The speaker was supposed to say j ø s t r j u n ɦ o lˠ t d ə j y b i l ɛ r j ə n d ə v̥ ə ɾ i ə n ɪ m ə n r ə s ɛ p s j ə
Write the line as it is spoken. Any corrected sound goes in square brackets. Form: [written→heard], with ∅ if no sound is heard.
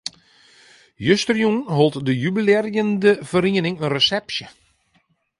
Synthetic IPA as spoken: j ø s t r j u n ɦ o lˠ t d ə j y b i l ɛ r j ə n d ə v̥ ə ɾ i ə n ɪ [m→ŋ] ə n r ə s ɛ p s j ə